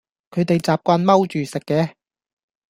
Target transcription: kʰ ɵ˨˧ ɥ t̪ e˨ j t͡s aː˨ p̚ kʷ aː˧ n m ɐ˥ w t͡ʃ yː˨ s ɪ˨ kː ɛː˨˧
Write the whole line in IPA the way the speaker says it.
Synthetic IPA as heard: kʰ ɵ˨˧ ɥ t̪ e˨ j t͡s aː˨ p̚ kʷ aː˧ n m ɐ˥ w t͡ʃ yː˨ s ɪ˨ kː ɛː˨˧